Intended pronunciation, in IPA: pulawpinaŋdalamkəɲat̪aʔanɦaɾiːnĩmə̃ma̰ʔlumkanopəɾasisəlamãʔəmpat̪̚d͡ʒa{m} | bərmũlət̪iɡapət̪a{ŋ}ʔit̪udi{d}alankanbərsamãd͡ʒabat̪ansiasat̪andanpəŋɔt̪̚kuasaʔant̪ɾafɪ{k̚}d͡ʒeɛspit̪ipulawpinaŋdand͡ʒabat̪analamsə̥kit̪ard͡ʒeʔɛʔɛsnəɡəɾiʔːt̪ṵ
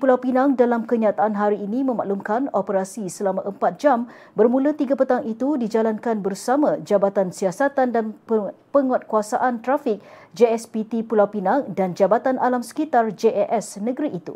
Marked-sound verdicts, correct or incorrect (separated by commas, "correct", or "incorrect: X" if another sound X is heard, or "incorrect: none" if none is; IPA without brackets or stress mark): correct, correct, incorrect: d͡ʒ, correct